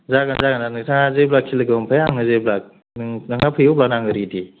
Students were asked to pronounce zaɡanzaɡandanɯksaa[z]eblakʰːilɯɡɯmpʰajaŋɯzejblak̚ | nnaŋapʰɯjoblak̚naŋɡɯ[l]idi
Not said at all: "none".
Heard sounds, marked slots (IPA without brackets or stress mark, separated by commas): z, ɾ